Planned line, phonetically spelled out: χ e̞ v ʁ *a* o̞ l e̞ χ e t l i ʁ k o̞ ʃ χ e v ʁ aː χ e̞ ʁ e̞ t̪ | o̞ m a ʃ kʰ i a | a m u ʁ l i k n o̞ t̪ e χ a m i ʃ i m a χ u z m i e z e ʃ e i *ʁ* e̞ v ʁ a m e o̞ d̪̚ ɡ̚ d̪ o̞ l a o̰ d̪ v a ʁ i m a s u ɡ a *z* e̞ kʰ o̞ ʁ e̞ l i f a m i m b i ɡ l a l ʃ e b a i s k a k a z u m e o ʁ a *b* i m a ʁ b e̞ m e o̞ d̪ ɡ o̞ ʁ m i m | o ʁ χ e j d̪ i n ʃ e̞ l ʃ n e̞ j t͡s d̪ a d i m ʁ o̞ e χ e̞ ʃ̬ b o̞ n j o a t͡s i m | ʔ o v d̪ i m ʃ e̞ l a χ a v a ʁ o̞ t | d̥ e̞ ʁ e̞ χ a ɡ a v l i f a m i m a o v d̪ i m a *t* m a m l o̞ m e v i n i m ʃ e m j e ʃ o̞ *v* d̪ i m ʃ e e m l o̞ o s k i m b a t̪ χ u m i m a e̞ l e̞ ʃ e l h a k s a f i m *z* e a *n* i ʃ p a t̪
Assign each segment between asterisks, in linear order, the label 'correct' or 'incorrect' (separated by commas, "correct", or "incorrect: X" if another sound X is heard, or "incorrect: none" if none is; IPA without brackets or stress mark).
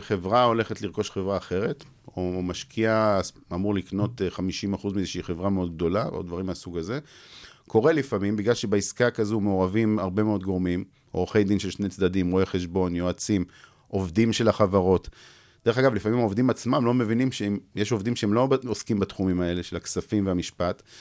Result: correct, incorrect: χ, correct, incorrect: v, incorrect: t͡s, correct, incorrect: v, incorrect: m